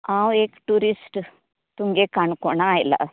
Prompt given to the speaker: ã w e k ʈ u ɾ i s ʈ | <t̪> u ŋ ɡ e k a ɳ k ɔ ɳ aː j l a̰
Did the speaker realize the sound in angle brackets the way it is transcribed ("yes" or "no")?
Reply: yes